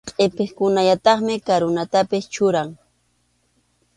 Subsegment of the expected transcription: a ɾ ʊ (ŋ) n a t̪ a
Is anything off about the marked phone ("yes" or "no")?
yes